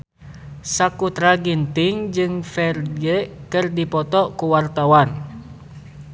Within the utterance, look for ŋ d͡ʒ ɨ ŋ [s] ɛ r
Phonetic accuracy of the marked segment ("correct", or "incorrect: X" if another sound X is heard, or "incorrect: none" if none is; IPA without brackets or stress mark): incorrect: f